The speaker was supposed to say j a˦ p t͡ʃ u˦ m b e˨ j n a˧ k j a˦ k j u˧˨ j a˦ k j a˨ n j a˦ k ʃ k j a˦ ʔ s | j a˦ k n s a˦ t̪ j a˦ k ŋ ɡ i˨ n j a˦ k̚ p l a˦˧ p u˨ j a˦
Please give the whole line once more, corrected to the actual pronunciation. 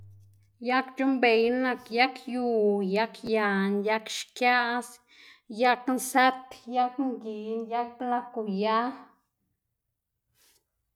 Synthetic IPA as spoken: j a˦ k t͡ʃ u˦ m b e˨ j n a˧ k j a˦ k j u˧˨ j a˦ k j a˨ n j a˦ k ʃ k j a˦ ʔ s | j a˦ k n s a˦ t̪ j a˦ k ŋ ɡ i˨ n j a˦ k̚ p l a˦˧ k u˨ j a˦